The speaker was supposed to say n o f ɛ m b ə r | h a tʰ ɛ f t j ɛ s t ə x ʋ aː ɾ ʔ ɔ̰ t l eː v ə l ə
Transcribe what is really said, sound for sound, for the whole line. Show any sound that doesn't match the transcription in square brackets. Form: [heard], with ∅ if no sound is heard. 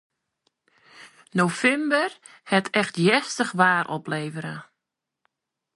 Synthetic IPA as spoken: n o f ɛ m b ə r | h [ɛ] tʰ ɛ [x] t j ɛ s t ə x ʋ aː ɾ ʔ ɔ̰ [p] l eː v ə [ɾ] ə